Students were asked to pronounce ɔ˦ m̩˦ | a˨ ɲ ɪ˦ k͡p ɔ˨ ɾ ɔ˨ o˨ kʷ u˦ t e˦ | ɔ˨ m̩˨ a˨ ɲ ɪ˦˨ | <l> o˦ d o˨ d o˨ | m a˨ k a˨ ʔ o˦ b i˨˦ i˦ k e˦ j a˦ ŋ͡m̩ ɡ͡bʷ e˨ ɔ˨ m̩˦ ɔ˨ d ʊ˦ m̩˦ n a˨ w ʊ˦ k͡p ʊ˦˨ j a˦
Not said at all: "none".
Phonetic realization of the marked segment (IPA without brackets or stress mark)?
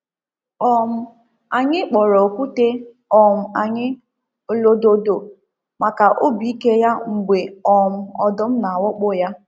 l